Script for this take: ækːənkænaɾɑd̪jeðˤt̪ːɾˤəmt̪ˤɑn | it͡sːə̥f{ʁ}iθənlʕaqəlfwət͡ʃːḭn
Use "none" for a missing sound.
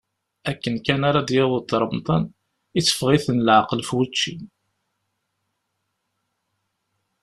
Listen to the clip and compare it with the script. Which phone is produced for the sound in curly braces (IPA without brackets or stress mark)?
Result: ʁ